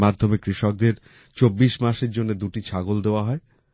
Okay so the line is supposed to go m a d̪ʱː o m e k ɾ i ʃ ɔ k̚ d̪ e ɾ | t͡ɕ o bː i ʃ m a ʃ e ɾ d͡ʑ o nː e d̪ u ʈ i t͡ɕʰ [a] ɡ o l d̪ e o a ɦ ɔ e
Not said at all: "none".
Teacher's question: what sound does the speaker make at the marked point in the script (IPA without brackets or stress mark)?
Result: a